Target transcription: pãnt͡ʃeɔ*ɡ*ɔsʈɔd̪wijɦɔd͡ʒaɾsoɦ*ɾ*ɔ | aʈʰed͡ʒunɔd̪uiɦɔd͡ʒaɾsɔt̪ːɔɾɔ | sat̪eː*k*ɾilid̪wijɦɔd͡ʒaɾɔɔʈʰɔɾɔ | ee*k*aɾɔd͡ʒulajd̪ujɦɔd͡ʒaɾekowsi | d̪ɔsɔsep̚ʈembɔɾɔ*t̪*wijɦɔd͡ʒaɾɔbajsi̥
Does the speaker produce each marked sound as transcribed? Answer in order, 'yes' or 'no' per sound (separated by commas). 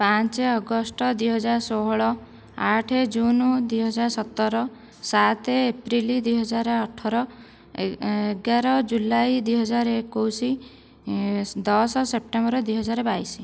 yes, no, no, no, no